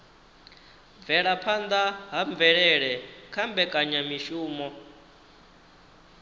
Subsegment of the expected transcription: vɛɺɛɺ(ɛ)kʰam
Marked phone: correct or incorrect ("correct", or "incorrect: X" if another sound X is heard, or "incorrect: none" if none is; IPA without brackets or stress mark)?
correct